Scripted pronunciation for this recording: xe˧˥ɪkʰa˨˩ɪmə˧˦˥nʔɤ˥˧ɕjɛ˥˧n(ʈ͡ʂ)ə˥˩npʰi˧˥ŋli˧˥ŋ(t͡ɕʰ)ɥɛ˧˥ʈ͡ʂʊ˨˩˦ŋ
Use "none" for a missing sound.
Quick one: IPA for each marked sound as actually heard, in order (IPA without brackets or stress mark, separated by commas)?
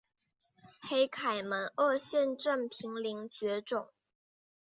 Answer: ʈ͡ʂ, t͡ɕ